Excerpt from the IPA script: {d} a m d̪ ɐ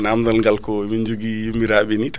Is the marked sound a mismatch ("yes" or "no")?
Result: yes